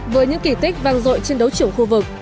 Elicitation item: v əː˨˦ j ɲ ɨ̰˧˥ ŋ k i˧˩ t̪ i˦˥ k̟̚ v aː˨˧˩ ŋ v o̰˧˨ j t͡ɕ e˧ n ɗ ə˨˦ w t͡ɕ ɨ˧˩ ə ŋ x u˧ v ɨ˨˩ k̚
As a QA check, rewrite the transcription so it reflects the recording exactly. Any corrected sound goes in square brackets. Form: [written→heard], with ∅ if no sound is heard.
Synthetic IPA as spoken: v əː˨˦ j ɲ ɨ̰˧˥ ŋ k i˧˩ t̪ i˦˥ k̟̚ v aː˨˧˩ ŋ [v→z] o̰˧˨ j t͡ɕ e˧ n ɗ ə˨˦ w t͡ɕ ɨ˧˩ ə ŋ x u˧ v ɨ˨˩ k̚